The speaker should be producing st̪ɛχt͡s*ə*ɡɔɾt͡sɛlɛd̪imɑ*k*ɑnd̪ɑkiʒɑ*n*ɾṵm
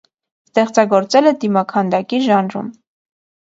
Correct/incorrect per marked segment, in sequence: incorrect, incorrect, correct

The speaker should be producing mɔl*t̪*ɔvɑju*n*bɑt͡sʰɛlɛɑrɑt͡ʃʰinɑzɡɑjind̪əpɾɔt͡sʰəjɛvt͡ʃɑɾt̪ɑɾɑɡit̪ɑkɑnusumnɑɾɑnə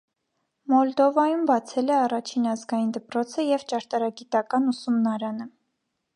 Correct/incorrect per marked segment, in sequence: incorrect, incorrect

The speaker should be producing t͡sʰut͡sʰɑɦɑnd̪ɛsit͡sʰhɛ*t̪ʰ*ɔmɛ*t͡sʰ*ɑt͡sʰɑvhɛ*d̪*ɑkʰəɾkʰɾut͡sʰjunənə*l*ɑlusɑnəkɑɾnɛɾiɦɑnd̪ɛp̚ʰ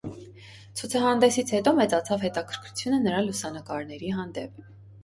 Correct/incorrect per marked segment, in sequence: incorrect, incorrect, incorrect, incorrect

